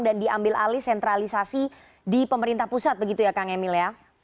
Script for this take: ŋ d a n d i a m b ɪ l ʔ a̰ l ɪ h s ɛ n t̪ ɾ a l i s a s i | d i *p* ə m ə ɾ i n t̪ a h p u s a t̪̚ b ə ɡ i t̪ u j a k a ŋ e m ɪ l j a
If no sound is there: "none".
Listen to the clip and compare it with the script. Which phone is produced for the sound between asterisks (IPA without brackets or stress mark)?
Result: p